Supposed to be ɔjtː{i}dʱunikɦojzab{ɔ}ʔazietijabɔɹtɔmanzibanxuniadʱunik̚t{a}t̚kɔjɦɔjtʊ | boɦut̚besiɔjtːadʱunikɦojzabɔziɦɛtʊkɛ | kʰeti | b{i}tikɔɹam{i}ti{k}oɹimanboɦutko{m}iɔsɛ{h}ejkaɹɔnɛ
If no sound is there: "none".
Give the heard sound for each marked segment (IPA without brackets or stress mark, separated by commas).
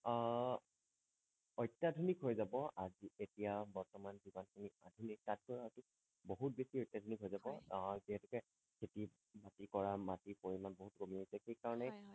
a, ɔ, a, a, a, p, m, x